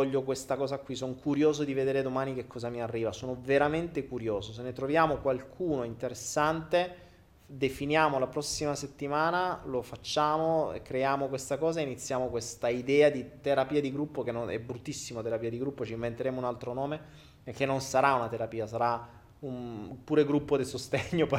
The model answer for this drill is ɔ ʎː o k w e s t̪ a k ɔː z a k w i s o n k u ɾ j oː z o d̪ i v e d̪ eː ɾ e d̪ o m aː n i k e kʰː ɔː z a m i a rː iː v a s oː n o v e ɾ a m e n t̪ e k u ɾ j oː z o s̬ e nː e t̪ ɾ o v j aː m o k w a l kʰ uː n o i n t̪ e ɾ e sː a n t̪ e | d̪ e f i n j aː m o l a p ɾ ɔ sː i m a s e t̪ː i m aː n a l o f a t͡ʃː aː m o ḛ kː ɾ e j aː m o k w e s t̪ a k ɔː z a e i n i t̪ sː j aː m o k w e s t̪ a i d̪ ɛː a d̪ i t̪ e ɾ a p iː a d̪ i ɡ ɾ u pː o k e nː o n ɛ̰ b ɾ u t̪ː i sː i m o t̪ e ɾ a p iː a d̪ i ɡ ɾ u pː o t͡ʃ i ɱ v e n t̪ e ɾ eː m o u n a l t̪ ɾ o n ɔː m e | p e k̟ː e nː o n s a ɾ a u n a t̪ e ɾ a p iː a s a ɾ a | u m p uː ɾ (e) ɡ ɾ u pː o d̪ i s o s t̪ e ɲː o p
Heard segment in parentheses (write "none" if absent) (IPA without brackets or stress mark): e